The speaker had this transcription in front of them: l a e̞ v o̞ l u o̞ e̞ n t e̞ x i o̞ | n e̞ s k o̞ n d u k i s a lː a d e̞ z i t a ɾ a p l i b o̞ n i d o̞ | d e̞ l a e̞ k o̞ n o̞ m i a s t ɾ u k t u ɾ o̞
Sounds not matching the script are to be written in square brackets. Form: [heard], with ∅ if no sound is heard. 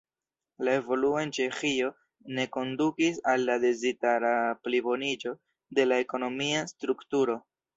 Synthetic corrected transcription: l a e̞ v o̞ l u o̞ e̞ n [t͡ʃ] e̞ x i o̞ | n e̞ [∅] k o̞ n d u k i s a lː a d e̞ z i t a ɾ a p l i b o̞ n i [d͡ʒ] o̞ | d e̞ l a e̞ k o̞ n o̞ m i a s t ɾ u k t u ɾ o̞